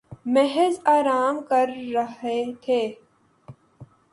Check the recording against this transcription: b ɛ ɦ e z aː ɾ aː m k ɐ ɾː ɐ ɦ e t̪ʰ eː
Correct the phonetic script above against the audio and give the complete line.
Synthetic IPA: m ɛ ɦ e z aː ɾ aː m k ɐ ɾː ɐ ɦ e t̪ʰ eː

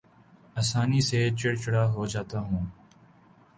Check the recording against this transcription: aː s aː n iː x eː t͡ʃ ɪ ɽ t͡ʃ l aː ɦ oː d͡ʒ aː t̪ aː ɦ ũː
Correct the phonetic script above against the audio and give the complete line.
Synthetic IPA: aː s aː n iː s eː t͡ʃ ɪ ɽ t͡ʃ ɽ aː ɦ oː d͡ʒ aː t̪ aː ɦ ũː

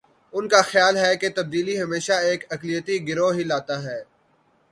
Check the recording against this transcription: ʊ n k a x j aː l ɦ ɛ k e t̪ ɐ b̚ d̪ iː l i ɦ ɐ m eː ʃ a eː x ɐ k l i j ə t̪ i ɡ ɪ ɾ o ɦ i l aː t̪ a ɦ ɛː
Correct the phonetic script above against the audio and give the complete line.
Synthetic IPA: ʊ n k a x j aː l ɦ ɛ k e t̪ ɐ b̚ d̪ iː l i ɦ ɐ m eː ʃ a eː k ɐ k l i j ə t̪ i ɡ ɪ ɾ o ɦ i l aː t̪ a ɦ ɛː

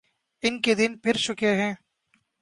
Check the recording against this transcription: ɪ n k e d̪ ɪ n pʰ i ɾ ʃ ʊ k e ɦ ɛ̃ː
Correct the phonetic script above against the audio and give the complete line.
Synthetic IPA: ɪ n k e d̪ ɪ n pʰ ɪ ɾ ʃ ʊ k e ɦ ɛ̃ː

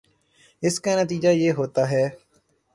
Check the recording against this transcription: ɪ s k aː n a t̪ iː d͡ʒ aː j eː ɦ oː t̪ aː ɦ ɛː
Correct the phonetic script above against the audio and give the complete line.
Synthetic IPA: ɪ s k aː n ə t̪ iː d͡ʒ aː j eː ɦ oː t̪ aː ɦ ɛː

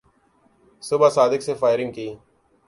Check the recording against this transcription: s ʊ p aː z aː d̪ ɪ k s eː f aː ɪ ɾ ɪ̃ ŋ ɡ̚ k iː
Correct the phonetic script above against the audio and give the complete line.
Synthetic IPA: s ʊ b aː s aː d̪ ɪ k s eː f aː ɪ ɾ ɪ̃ ŋ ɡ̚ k iː

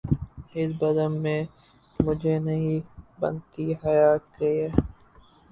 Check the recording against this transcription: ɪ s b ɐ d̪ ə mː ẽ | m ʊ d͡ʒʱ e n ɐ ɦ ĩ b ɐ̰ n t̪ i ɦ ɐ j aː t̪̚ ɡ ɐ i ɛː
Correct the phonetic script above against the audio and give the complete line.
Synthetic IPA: ɪ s b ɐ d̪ ə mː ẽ | m ʊ d͡ʒʱ e n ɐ ɦ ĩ b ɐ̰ n t̪ i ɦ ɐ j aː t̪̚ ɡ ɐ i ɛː

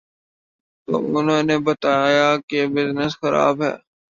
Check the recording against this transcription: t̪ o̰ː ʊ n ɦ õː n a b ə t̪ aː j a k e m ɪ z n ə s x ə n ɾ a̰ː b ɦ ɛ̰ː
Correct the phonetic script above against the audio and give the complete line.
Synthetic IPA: t̪ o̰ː ʊ n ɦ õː n e b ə t̪ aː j a k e b ɪ z n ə s x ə ɾ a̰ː b ɦ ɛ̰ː

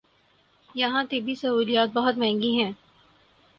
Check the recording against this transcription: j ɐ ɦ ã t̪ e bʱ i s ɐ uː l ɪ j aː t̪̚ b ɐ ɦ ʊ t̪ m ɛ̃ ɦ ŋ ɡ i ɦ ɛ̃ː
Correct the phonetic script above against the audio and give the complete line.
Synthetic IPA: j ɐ ɦ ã t̪ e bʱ i s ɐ uː l i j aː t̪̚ b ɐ ɦ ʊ t̪ m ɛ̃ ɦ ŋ ɡ i ɦ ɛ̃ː

